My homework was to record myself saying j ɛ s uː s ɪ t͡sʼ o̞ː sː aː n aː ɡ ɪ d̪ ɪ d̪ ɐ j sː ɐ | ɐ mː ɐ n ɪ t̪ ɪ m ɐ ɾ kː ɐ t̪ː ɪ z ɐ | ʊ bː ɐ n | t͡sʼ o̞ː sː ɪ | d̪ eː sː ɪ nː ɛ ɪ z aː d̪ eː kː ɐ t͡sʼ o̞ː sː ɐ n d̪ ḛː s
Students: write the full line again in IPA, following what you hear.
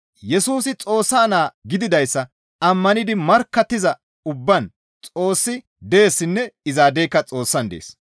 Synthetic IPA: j ɛ s uː s ɪ t͡sʼ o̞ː sː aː n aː ɡ ɪ d̪ ɪ d̪ ɐ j sː ɐ | ɐ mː ɐ n ɪ d̪ ɪ m ɐ ɾ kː ɐ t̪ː ɪ z ɐ | ʊ bː ɐ n | t͡sʼ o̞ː sː ɪ | d̪ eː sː ɪ nː ɛ ɪ z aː d̪ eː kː ɐ t͡sʼ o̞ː sː ɐ n d̪ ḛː s

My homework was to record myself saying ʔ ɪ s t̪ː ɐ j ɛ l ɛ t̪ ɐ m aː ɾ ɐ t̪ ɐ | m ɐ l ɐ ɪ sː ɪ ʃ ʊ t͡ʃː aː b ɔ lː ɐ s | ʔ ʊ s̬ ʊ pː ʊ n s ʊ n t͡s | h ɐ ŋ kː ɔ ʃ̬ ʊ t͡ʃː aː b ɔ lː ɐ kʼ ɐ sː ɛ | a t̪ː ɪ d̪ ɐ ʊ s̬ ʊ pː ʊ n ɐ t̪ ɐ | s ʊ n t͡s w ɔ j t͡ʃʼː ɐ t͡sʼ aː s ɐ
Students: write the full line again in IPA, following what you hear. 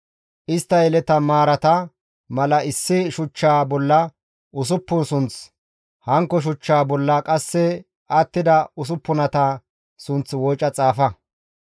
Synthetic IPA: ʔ ɪ s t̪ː ɐ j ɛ l ɛ t̪ ɐ m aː ɾ ɐ t̪ ɐ | m ɐ l ɐ ɪ sː ɪ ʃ ʊ t͡ʃː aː b ɔ lː ɐ | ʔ ʊ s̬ ʊ pː ʊ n s ʊ n t͡s | h ɐ ŋ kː ɔ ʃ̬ ʊ t͡ʃː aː b ɔ lː ɐ kʼ ɐ sː ɛ | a t̪ː ɪ d̪ ɐ ʊ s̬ ʊ pː ʊ n ɐ t̪ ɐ | s ʊ n t͡s w ɔ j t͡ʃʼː ɐ t͡sʼ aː f ɐ

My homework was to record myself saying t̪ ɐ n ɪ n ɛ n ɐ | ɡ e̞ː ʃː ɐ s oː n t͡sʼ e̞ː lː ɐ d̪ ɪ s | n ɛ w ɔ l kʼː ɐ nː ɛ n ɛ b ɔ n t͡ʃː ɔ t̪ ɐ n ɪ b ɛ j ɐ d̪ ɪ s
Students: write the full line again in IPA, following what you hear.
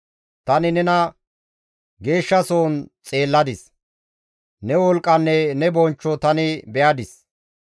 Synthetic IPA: t̪ ɐ n ɪ n ɛ n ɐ | ɡ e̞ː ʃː ɐ s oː n t͡sʼ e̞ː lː ɐ d̪ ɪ s | n ɛ w ɔ l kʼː ɐ nː ɛ n ɛ b ɔ n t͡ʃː ɔ t̪ ɐ n ɪ b ɛ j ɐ d̪ ɪ s

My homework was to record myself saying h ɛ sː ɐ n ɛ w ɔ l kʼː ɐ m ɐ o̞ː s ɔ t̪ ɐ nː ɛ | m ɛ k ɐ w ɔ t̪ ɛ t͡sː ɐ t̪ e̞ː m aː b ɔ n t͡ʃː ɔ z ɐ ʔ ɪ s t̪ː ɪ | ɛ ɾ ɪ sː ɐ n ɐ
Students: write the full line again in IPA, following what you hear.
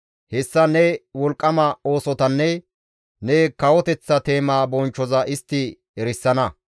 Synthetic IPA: h ɛ sː ɐ n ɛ w ɔ l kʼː ɐ m ɐ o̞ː s ɔ t̪ ɐ nː ɛ | n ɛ k ɐ w ɔ t̪ ɛ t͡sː ɐ t̪ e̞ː m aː b ɔ n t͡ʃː ɔ z ɐ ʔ ɪ s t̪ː ɪ | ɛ ɾ ɪ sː ɐ n ɐ

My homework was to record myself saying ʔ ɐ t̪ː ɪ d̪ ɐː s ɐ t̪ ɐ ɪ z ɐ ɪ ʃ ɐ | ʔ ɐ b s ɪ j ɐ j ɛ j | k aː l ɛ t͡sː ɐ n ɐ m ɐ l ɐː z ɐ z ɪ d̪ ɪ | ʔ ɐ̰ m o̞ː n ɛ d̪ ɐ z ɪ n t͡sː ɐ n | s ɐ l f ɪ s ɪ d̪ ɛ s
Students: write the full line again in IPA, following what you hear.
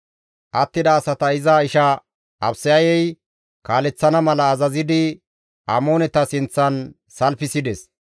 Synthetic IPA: ʔ ɐ t̪ː ɪ d̪ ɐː s ɐ t̪ ɐ ɪ z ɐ ɪ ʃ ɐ | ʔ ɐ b s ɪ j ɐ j ɛ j | k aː l ɛ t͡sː ɐ n ɐ m ɐ l ɐː z ɐ z ɪ d̪ ɪ | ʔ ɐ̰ m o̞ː n ɛ t̪ ɐ s ɪ n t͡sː ɐ n | s ɐ l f ɪ s ɪ d̪ ɛ s

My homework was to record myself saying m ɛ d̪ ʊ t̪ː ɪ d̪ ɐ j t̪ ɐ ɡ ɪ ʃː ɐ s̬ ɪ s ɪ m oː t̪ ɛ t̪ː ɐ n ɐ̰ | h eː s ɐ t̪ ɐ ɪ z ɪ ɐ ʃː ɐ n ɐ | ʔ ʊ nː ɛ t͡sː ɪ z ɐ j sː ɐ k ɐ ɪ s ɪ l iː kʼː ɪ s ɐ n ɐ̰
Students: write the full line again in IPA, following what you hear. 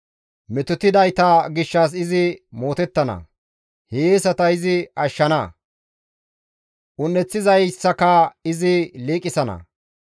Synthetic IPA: m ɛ t̪ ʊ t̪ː ɪ d̪ ɐ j t̪ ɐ ɡ ɪ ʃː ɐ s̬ ɪ z ɪ m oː t̪ ɛ t̪ː ɐ n ɐ̰ | h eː s ɐ t̪ ɐ ɪ z ɪ ɐ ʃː ɐ n ɐ | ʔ ʊ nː ɛ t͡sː ɪ z ɐ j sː ɐ k ɐ ɪ z ɪ l iː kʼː ɪ s ɐ n ɐ̰

